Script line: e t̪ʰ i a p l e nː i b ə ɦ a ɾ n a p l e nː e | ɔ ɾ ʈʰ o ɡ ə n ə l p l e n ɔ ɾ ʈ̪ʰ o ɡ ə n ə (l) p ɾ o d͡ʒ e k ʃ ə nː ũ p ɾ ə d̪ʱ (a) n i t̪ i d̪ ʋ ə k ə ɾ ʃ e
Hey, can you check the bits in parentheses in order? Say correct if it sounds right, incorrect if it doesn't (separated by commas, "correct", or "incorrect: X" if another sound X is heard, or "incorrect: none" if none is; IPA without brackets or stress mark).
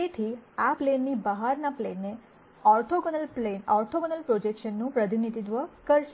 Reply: correct, incorrect: i